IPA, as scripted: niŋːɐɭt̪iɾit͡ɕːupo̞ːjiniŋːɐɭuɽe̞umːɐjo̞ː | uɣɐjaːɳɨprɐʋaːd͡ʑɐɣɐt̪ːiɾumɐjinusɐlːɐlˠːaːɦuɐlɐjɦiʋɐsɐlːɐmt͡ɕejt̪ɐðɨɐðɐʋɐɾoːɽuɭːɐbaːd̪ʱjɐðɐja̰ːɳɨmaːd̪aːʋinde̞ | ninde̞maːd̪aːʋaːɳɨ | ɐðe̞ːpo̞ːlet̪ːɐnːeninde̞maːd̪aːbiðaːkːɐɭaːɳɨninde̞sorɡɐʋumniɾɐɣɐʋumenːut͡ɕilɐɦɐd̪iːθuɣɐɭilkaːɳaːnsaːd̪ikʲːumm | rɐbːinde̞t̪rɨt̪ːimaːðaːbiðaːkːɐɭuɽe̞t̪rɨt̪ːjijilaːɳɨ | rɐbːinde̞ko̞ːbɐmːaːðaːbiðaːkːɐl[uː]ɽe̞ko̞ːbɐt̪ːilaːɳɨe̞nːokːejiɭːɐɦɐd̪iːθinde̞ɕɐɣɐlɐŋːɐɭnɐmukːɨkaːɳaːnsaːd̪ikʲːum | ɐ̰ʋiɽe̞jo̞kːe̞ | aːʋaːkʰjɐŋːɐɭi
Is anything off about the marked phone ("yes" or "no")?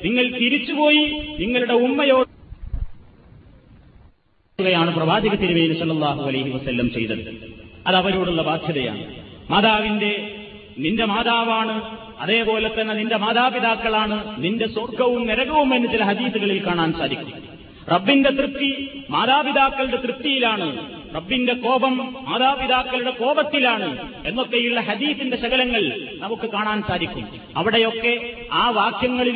yes